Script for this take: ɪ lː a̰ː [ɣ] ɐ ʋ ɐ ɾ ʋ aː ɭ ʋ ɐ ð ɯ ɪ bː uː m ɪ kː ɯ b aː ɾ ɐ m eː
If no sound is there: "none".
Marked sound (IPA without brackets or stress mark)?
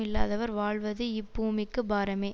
ð